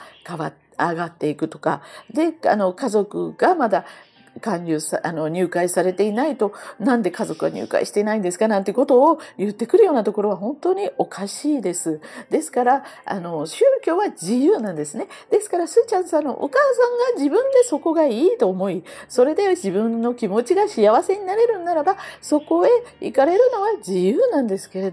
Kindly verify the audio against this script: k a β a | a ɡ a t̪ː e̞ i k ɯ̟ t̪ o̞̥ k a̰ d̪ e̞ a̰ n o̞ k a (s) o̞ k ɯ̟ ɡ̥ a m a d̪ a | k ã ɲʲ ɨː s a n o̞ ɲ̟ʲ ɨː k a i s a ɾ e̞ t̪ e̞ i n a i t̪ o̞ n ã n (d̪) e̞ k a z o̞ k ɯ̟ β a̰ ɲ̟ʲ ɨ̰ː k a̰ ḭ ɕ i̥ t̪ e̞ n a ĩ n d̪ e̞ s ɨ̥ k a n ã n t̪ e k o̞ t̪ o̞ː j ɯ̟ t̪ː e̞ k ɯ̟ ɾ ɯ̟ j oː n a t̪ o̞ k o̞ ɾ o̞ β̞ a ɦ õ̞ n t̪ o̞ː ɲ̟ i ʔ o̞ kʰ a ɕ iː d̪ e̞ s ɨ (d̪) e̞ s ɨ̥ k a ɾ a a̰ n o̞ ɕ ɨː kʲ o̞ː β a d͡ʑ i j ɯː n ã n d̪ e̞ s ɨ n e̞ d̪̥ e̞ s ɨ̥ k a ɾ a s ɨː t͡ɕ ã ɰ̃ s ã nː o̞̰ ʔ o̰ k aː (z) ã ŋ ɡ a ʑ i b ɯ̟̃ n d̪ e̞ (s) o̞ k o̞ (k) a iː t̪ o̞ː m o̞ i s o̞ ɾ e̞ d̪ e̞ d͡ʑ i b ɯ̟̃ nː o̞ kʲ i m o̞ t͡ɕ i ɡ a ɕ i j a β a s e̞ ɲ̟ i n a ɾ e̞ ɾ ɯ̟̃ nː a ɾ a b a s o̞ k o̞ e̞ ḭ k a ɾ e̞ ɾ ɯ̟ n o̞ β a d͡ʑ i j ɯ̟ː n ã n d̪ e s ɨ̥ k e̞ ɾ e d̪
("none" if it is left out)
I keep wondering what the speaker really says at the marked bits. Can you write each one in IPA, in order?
z, d̪, d̪, s, s, ɡ

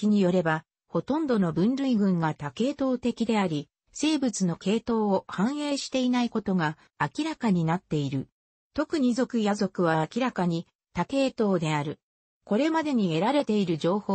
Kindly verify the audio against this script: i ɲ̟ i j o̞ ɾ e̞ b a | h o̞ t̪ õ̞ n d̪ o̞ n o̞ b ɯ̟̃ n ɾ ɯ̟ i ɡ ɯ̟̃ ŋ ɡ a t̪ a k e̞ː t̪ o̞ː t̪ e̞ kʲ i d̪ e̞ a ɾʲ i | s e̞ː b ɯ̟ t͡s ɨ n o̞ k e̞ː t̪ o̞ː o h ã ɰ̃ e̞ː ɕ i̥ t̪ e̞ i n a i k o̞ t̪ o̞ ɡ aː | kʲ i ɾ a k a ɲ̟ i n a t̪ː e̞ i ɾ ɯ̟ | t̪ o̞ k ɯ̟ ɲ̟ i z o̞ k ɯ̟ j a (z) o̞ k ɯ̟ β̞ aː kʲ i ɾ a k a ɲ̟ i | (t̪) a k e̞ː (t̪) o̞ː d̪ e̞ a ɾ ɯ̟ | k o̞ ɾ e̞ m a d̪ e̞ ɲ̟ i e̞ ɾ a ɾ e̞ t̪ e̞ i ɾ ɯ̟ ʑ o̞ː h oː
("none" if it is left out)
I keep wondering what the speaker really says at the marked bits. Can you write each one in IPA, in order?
z, t̪, t̪

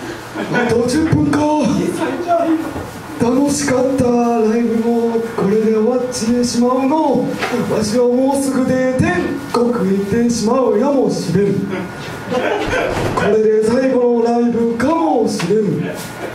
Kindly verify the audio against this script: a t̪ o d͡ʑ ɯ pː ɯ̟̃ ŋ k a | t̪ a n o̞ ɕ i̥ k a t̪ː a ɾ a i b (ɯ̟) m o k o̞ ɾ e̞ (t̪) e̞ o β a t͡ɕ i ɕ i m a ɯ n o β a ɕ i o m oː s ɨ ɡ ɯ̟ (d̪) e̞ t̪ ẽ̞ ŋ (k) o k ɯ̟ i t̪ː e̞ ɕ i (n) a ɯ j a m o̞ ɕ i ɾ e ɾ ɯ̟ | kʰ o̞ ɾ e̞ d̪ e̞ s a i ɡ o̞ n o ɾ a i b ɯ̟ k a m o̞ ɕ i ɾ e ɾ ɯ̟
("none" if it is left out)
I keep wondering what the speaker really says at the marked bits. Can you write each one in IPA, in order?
ɯ̟, d̪, d̪, k, m

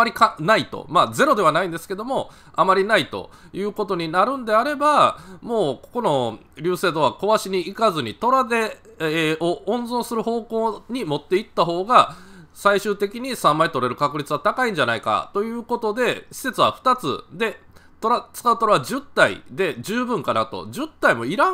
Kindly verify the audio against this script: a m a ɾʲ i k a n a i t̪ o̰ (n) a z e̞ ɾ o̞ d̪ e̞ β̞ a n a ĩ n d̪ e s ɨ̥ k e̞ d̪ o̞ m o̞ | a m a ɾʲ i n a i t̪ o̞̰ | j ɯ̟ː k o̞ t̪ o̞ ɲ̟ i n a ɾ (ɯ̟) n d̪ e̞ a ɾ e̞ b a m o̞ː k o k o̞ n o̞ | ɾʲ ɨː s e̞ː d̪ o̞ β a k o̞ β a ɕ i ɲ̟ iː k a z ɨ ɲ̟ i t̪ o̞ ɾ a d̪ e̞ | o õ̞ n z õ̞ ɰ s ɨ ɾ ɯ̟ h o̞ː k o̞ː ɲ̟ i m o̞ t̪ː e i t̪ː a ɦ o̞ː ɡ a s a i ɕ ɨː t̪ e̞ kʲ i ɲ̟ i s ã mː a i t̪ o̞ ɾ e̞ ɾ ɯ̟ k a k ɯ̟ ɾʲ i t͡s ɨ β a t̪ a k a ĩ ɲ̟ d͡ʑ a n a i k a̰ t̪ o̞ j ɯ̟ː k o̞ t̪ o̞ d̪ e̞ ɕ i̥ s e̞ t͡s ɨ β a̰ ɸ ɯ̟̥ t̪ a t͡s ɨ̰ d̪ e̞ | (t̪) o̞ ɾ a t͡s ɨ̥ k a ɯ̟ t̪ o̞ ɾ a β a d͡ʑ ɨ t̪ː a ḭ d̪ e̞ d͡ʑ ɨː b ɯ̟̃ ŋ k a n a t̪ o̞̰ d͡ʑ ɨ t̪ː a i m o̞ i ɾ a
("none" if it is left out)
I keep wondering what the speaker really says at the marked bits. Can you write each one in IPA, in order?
m, ɯ̟̃, t̪

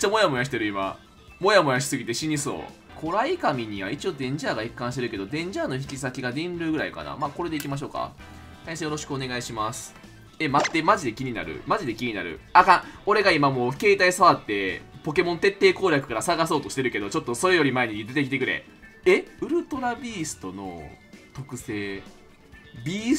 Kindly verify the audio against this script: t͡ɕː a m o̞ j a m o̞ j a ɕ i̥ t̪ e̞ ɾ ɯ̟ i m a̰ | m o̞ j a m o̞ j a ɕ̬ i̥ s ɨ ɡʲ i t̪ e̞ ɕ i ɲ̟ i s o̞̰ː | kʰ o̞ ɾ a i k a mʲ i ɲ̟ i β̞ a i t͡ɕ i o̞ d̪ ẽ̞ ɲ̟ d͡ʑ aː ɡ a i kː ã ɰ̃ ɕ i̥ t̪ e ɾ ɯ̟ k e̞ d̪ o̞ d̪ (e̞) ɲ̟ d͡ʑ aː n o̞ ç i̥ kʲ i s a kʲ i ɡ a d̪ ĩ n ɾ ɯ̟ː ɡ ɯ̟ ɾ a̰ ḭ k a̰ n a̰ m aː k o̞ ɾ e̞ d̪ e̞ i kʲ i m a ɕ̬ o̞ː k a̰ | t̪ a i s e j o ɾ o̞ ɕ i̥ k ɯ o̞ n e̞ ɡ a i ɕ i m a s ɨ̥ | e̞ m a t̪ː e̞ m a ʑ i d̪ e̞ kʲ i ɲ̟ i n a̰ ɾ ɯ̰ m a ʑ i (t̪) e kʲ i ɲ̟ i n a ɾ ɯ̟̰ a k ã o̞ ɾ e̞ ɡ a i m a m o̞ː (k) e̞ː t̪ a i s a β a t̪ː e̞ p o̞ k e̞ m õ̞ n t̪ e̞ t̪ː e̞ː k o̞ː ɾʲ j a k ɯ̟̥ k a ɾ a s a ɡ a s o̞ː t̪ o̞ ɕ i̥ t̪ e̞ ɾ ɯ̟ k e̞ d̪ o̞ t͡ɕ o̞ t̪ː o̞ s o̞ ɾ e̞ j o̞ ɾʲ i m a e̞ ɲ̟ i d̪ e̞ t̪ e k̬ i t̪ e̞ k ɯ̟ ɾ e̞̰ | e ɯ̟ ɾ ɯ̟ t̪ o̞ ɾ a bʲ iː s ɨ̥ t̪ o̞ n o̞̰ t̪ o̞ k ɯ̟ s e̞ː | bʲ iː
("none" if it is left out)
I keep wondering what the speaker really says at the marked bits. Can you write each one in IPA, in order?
ẽ̞, d̪, k

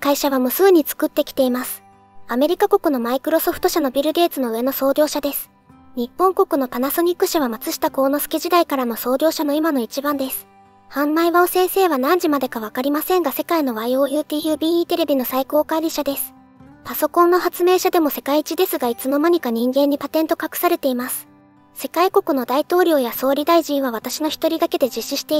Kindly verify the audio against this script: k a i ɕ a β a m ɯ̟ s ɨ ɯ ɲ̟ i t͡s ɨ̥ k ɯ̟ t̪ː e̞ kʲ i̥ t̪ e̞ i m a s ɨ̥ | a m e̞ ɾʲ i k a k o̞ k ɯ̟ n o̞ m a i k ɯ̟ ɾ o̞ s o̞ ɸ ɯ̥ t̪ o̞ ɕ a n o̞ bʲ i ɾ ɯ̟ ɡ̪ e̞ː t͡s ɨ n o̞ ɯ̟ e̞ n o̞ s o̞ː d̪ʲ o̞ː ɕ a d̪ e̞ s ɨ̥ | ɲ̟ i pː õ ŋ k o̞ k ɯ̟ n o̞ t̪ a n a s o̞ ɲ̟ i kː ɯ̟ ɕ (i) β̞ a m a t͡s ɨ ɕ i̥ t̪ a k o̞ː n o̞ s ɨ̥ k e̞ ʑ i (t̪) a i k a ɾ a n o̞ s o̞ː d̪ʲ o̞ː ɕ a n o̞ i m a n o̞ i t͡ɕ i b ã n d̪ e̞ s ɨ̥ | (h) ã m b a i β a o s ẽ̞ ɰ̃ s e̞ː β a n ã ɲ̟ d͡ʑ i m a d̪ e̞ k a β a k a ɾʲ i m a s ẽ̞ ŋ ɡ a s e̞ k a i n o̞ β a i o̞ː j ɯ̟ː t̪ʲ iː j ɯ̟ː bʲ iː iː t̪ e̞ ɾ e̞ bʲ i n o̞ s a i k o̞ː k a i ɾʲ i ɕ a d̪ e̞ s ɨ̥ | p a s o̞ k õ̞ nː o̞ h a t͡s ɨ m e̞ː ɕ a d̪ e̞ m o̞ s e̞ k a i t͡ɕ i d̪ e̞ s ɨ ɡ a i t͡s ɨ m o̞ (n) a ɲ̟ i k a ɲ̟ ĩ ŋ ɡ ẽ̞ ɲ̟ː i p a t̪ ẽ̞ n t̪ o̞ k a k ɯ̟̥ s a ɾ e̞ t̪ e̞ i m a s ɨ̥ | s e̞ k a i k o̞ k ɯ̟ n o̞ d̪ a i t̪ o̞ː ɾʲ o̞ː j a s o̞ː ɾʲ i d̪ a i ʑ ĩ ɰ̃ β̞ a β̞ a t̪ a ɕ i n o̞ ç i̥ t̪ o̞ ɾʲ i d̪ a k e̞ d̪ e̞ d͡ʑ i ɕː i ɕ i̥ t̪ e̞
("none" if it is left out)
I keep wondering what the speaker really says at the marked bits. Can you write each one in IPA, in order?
a, d̪, h, m

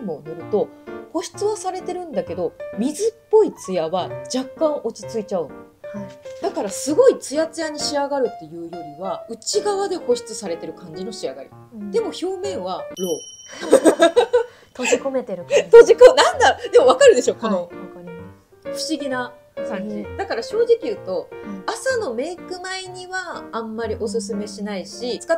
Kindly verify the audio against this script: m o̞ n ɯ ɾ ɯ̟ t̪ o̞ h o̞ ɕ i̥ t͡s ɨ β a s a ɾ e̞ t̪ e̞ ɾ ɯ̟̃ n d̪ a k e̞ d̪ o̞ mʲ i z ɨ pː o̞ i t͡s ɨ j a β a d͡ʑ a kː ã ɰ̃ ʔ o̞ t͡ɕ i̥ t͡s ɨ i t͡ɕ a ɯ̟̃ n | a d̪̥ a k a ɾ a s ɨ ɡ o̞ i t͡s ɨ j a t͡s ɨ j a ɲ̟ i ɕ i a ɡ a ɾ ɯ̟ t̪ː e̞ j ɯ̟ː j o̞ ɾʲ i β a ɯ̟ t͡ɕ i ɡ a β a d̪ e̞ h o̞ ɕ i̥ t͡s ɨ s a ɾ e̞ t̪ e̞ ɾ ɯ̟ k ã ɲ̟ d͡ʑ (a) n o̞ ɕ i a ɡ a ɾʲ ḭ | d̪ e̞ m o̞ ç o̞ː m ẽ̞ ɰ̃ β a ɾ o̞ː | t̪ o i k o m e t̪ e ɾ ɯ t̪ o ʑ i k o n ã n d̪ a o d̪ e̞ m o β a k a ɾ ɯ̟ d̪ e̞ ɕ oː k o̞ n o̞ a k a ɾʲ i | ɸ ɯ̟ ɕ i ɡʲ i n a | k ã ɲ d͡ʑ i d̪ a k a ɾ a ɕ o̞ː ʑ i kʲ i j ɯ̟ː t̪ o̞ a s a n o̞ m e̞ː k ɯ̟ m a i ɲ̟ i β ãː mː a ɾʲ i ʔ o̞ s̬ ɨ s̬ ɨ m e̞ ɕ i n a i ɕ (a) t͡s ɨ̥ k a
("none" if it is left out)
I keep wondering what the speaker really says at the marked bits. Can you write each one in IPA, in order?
i, i

